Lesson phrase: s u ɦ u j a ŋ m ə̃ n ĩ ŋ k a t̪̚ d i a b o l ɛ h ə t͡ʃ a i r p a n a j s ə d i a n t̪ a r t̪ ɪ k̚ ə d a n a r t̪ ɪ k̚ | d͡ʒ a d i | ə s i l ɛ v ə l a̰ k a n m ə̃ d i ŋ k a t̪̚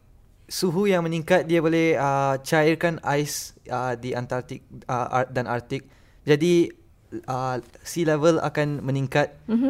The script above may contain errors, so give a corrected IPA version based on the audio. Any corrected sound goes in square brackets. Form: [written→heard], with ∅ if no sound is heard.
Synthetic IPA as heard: s u ɦ u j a ŋ m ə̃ n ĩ ŋ k a t̪̚ d i a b o l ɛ h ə t͡ʃ a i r [p→k] a n a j s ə d i a n t̪ a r t̪ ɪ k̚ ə d a n a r t̪ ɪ k̚ | d͡ʒ a d i | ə s i l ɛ v ə l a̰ k a n m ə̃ [d→n] i ŋ k a t̪̚